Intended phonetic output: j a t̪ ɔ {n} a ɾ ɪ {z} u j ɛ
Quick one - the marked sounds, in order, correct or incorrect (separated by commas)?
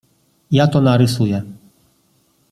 correct, incorrect